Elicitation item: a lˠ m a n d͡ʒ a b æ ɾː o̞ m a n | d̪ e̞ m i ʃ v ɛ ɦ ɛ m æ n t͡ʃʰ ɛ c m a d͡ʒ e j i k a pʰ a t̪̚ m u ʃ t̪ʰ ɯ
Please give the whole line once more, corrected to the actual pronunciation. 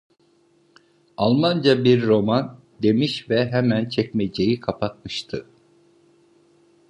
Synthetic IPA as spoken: a lˠ m a n d͡ʒ a b i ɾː o̞ m a n | d̪ e̞ m i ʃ v ɛ ɦ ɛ m æ n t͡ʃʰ ɛ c m e d͡ʒ e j i kʰ a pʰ a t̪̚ m ɯ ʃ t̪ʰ ɯ